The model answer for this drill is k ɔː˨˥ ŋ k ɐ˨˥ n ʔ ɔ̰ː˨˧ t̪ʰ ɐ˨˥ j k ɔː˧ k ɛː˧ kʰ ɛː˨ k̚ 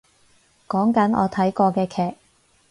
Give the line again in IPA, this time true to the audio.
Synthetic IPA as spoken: k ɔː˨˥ ŋ k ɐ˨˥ n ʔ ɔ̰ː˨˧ t̪ʰ ɐ˨˥ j k ɔː˧ k ɛː˧ kʰ ɛː˨ k̚